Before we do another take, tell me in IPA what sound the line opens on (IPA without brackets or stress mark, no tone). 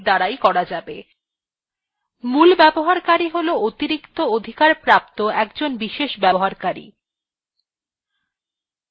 d̪